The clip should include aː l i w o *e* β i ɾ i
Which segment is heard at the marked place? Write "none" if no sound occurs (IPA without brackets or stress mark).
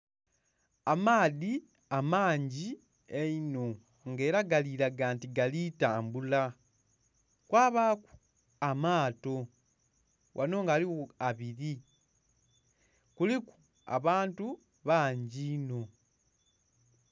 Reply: a